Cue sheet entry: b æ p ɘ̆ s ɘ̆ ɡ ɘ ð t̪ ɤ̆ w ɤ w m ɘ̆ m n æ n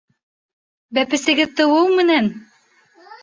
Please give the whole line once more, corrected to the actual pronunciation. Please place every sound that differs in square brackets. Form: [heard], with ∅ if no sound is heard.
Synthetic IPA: b æ p ɘ̆ s ɘ̆ ɡ ɘ ð t̪ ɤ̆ w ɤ w m ɘ̆ [∅] n æ n